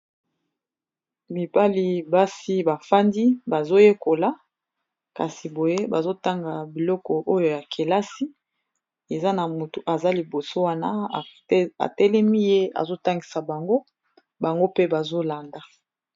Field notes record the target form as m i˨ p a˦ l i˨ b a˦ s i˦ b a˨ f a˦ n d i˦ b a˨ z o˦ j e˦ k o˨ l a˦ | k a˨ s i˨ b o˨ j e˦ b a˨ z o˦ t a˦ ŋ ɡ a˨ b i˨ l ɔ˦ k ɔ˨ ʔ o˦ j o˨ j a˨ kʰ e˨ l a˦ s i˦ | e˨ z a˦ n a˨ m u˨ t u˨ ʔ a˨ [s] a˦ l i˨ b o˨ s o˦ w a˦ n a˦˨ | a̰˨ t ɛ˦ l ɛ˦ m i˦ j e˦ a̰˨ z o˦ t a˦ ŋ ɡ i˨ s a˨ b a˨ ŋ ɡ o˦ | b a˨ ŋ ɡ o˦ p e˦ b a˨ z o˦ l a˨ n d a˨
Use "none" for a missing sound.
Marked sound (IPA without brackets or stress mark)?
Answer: z